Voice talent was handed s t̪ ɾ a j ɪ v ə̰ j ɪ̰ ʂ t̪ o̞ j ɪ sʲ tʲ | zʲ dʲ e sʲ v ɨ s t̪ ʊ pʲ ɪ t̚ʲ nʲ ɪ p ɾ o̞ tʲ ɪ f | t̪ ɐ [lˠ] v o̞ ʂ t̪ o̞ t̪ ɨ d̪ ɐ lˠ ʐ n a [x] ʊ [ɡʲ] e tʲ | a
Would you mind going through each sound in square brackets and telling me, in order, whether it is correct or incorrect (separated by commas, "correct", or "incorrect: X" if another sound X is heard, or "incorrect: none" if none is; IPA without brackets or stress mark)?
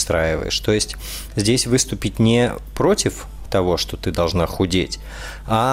incorrect: none, correct, incorrect: dʲ